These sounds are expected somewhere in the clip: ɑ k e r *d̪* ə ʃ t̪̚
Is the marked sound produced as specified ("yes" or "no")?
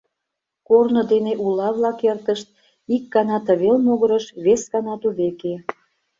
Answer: no